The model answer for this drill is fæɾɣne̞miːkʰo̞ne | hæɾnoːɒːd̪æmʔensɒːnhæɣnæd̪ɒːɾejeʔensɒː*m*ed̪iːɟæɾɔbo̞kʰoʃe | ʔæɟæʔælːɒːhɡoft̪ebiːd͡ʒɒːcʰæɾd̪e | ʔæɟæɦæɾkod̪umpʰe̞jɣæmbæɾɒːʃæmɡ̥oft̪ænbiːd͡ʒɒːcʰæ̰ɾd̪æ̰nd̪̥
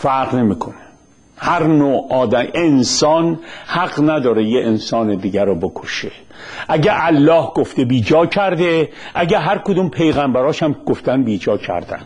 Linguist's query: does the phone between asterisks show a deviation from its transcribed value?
yes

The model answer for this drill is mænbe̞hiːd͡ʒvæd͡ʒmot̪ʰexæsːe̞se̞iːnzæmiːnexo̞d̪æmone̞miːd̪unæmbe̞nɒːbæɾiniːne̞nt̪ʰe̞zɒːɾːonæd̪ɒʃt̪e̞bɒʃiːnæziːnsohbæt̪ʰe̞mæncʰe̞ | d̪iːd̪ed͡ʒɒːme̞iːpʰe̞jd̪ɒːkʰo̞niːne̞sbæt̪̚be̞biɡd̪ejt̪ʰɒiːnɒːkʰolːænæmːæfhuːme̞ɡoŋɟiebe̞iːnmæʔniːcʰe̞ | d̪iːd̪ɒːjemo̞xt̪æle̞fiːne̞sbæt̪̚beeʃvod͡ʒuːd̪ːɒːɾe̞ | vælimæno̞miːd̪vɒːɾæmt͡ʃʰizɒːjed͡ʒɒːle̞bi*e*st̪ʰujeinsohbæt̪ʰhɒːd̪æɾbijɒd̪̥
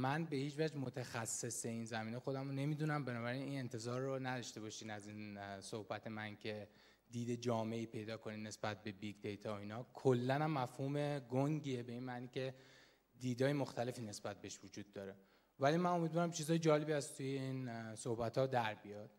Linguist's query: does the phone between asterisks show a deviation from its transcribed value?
yes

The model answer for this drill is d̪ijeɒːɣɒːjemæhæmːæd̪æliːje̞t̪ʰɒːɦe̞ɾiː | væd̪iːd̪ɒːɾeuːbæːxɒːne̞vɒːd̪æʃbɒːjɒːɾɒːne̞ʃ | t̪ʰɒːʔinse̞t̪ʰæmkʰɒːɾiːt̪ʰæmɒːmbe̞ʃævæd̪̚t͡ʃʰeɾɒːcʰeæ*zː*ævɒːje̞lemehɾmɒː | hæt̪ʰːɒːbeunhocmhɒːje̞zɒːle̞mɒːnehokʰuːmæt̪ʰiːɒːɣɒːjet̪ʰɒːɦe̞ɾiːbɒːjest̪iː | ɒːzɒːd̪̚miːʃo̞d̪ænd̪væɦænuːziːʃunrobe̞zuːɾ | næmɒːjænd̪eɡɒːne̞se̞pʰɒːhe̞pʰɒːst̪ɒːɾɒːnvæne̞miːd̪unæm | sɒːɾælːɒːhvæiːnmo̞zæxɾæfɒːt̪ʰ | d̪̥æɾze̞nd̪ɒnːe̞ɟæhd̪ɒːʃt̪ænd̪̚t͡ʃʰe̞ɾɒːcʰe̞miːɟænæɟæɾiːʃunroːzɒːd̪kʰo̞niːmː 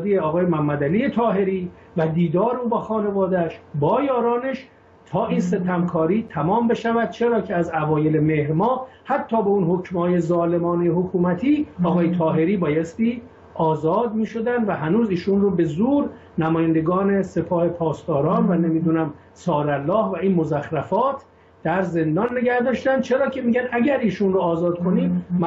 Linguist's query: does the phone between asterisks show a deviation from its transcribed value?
yes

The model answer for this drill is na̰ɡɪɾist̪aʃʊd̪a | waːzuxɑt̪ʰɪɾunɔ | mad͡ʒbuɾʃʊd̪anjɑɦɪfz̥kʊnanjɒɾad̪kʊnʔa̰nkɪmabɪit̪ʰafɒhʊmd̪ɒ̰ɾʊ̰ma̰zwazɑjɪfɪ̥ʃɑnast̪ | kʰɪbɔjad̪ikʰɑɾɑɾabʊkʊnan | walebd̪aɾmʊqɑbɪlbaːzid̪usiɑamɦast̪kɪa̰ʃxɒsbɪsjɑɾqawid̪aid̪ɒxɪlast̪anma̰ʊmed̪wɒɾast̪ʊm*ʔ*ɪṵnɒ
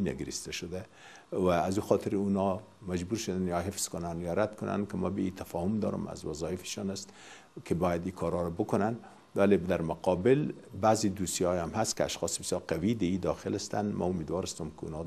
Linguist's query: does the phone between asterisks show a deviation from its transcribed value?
yes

